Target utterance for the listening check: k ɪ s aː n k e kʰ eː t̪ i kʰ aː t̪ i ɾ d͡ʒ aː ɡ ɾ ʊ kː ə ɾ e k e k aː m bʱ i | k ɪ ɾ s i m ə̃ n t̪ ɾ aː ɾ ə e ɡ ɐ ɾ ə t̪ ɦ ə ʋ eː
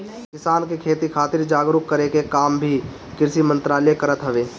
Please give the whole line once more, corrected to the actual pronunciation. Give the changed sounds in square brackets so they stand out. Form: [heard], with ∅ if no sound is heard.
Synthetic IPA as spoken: k ɪ s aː n k e kʰ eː t̪ i kʰ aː t̪ [ɪ] ɾ d͡ʒ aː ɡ ɾ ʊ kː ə ɾ e k e k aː m bʱ i | k ɪ ɾ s i m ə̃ n t̪ ɾ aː [l] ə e [k] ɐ ɾ ə t̪ ɦ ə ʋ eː